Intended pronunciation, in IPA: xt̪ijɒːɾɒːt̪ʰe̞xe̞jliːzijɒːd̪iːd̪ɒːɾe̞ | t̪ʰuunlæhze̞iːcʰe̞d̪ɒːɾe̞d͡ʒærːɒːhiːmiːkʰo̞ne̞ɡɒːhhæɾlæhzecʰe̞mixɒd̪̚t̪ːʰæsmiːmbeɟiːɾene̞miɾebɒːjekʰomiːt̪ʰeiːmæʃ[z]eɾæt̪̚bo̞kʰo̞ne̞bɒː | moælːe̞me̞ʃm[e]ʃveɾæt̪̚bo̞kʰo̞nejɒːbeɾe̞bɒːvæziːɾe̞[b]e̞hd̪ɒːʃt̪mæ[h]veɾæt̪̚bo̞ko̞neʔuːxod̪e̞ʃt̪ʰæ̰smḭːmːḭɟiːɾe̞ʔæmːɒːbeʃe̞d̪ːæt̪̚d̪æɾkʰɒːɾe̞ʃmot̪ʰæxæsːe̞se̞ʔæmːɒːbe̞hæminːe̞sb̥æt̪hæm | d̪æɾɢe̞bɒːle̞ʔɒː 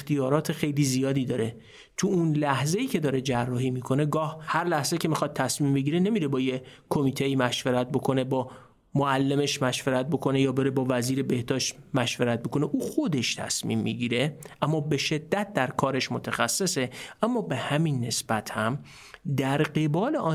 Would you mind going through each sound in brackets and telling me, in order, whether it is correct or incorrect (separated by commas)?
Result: incorrect, incorrect, correct, incorrect